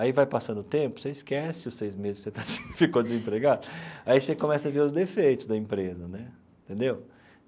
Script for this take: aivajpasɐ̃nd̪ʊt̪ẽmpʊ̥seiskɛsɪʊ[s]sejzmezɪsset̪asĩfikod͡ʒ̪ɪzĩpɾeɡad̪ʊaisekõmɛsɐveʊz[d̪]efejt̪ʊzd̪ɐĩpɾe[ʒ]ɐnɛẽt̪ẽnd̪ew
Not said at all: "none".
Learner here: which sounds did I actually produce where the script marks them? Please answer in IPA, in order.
s, d̪, z

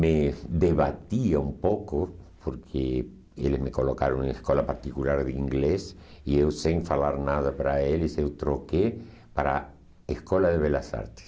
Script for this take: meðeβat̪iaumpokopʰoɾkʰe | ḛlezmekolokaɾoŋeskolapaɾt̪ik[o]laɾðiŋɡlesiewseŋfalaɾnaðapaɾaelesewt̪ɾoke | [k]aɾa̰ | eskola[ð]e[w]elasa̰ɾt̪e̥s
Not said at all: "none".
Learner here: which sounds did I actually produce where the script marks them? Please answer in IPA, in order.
u, p, ð, β

